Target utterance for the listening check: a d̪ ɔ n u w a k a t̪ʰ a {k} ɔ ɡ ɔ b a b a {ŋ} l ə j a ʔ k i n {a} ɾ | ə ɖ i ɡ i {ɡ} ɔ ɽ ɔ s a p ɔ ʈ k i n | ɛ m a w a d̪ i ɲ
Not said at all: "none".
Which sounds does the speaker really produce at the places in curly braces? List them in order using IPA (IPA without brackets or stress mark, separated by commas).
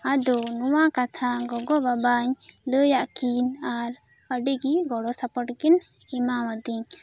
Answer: ɡ, ɲ, a, ɡ